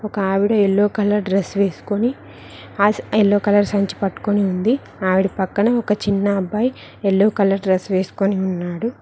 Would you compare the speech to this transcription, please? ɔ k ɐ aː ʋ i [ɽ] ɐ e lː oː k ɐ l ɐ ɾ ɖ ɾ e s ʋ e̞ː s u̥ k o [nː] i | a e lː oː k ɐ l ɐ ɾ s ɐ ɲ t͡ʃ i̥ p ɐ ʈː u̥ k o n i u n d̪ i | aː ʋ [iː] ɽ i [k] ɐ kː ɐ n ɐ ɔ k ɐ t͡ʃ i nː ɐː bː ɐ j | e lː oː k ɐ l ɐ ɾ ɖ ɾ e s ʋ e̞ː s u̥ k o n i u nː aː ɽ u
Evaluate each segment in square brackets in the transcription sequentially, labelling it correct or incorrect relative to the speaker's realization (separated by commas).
correct, incorrect, incorrect, incorrect